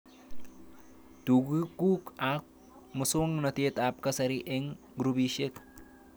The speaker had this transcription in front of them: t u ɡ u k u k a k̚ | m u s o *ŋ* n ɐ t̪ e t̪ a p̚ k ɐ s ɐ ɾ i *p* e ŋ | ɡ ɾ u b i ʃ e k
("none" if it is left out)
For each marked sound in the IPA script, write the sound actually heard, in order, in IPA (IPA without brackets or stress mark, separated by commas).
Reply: ŋ, ʔ